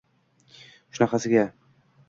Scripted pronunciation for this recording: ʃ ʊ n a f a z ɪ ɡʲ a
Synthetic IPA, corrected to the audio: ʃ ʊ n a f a s ɪ ɡʲ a